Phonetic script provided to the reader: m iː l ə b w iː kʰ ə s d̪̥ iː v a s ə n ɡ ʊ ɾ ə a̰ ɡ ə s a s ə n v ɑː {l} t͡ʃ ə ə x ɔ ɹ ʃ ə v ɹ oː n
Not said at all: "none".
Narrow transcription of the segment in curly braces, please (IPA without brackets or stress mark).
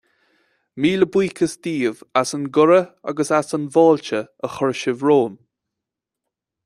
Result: l